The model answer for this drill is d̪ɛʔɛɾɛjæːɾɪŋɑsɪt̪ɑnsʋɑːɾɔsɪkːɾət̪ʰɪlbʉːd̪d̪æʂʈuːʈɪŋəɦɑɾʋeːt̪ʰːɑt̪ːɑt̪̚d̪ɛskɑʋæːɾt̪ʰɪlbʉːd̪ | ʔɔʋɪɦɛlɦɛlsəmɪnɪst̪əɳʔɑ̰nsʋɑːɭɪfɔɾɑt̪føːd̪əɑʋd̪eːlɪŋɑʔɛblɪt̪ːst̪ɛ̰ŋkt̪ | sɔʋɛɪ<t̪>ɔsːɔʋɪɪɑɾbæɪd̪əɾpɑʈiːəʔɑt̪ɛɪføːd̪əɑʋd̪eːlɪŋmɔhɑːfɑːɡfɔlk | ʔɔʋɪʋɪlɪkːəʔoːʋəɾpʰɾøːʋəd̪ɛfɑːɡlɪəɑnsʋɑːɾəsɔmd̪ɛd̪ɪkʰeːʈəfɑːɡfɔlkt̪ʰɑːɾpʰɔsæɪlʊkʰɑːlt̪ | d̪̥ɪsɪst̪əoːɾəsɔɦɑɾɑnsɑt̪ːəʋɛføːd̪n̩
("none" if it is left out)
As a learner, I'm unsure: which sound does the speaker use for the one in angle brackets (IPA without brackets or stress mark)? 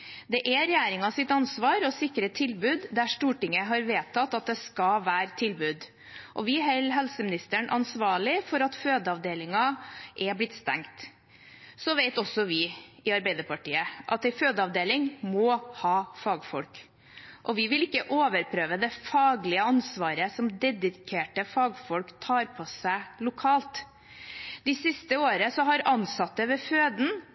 t̪